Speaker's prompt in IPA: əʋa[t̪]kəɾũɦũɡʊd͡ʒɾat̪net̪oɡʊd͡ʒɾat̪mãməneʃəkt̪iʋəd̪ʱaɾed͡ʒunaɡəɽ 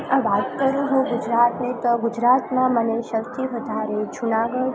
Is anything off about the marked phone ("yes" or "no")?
no